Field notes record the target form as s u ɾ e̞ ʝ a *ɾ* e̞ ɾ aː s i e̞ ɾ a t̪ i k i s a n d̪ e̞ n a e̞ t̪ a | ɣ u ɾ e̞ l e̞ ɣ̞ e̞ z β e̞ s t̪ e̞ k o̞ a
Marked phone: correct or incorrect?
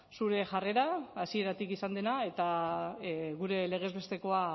incorrect: r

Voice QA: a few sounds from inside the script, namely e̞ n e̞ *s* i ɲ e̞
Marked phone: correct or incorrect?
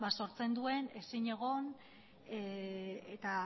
correct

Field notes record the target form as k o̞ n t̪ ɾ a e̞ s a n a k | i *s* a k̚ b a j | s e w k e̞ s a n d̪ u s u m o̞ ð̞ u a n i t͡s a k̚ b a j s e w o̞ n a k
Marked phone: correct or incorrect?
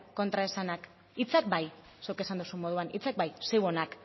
incorrect: t͡s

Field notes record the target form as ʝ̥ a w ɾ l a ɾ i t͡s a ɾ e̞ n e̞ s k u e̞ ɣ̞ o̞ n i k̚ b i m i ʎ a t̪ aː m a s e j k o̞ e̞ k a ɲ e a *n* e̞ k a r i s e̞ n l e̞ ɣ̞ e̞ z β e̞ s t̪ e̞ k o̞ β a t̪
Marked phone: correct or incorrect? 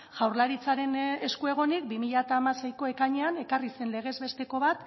correct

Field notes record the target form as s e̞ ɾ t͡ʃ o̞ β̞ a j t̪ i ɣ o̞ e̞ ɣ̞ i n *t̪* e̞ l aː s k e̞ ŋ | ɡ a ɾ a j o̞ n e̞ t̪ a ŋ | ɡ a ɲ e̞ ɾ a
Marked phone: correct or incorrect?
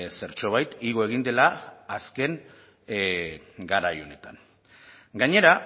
incorrect: d̪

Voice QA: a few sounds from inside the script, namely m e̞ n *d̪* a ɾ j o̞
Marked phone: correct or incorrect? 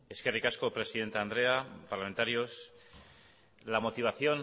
incorrect: t̪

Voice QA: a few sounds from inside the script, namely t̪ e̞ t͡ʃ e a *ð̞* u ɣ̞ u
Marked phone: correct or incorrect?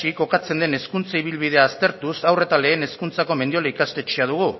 correct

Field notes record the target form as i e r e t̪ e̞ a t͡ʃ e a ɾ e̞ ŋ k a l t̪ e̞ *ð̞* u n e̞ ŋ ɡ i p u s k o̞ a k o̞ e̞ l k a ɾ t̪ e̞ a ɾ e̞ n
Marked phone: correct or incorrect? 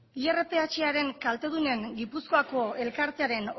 correct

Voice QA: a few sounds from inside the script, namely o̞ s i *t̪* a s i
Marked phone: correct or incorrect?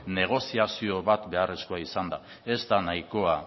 incorrect: none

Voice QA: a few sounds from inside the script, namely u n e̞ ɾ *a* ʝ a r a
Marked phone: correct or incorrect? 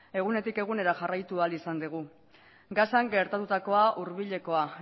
correct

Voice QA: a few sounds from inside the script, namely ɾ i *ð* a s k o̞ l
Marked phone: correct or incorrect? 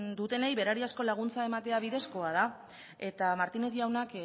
incorrect: none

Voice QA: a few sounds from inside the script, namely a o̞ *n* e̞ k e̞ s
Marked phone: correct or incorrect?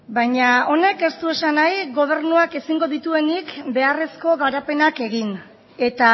correct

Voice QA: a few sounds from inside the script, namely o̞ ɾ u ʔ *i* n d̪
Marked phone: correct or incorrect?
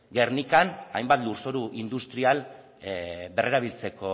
correct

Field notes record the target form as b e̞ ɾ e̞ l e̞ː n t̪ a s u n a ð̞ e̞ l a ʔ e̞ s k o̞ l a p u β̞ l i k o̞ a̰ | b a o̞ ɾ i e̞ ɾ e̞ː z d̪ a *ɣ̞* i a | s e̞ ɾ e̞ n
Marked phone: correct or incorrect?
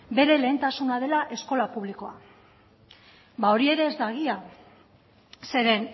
correct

